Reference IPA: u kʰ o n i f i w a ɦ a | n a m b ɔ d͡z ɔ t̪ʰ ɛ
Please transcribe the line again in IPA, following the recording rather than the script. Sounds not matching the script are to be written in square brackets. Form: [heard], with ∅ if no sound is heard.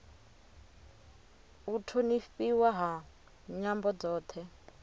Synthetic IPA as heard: u [tʰ] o n i f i w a ɦ a | [ɲ] a m b ɔ d͡z [ɔː] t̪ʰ ɛ